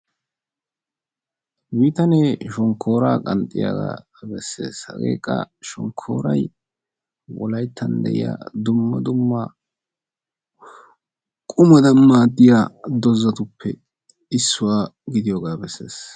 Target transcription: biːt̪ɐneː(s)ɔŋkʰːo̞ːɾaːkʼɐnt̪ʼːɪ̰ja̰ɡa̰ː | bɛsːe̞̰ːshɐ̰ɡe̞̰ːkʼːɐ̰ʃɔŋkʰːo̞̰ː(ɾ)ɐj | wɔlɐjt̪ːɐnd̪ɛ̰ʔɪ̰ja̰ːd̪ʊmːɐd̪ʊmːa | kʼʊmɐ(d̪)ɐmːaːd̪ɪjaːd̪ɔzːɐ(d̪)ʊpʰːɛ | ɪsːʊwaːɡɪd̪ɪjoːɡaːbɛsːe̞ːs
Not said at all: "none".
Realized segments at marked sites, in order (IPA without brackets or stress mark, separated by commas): ʃ, ɾ, d̪, t̪